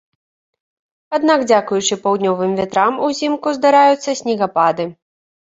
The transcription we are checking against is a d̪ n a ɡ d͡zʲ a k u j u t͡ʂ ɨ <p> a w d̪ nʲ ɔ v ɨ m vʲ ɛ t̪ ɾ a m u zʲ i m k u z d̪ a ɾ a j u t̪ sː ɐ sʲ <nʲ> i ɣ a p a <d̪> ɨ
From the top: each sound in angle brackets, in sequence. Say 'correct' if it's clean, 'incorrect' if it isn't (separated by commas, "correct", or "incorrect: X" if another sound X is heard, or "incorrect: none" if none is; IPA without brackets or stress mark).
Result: correct, correct, correct